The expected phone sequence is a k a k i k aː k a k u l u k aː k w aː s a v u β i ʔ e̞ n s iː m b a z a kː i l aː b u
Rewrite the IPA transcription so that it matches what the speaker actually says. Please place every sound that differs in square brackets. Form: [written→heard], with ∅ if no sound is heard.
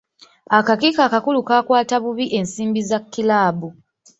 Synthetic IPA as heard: a k a k i k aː k a k u l u k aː k w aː [s→t] a [v→β] u β i ʔ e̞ n s iː m b [a→i] z a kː i l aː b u